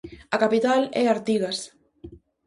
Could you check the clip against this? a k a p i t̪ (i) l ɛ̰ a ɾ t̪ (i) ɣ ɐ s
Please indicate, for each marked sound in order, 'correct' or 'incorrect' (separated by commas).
incorrect, correct